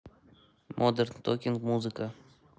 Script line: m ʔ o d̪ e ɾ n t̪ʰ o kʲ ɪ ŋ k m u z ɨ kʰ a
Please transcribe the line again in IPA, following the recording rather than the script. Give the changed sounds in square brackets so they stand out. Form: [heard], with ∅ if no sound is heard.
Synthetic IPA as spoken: m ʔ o d̪ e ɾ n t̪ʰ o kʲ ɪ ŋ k m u z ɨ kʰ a